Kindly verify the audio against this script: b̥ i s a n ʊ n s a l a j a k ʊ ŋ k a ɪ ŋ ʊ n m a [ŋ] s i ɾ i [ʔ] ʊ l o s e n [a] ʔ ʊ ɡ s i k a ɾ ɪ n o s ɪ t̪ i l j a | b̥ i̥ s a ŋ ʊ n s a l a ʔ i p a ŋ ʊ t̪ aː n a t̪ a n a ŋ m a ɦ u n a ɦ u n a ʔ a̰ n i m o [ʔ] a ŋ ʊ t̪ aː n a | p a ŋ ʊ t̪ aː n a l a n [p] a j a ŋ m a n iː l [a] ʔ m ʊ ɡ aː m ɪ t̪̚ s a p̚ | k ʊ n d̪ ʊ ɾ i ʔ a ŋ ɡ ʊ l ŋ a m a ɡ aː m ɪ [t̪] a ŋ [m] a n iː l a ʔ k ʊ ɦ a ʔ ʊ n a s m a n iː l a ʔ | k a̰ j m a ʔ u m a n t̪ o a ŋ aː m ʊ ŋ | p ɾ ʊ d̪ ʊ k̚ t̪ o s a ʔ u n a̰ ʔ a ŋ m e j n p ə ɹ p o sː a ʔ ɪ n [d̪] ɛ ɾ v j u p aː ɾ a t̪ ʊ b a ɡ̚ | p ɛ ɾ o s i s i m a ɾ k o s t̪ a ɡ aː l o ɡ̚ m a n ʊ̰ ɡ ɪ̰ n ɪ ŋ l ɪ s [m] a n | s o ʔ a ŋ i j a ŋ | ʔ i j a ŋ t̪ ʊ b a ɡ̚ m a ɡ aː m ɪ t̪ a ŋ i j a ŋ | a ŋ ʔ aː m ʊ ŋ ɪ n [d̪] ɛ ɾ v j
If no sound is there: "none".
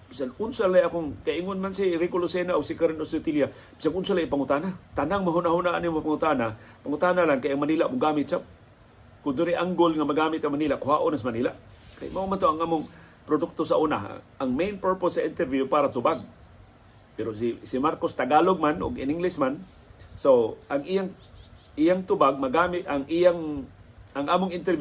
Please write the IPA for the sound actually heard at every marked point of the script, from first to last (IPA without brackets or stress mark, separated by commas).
n, k, a, p, k, a, t̪, m, t̪, m, t̪